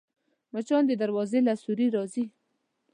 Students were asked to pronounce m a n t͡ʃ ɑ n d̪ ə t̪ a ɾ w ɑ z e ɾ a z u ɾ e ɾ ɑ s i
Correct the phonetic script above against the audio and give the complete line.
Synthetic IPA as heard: m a t͡ʃ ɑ n d̪ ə d̪ a ɾ w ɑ z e l a s u ɾ i ɾ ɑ z i